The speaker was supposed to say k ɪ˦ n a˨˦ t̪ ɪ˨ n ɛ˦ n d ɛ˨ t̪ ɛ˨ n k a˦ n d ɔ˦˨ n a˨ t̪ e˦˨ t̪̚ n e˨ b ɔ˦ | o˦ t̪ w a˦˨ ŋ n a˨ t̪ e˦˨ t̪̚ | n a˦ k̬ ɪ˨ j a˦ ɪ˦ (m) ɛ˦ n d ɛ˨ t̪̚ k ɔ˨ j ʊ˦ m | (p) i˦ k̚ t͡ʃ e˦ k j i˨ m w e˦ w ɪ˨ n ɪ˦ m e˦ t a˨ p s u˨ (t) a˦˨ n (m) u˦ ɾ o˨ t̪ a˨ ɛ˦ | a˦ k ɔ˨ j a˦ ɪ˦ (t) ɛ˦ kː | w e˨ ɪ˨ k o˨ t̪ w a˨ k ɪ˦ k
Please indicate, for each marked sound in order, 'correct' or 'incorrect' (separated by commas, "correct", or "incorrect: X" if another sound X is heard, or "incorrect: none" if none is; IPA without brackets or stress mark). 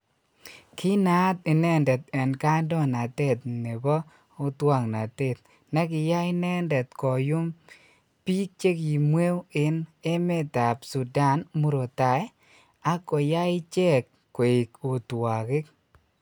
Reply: incorrect: n, correct, incorrect: d, correct, incorrect: t͡ʃ